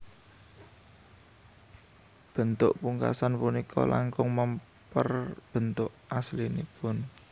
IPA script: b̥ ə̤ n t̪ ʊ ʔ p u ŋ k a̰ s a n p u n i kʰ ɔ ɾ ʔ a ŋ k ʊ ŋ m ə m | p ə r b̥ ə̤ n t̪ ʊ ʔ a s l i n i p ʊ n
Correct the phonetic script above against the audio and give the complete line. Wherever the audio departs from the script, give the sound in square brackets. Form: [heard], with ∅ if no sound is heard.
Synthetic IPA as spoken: b̥ ə̤ n t̪ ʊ ʔ p u ŋ k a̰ s a n p u n i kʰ ɔ [l] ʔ a ŋ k ʊ ŋ m ə m | p ə r b̥ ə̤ n t̪ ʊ ʔ a s l i n i p ʊ n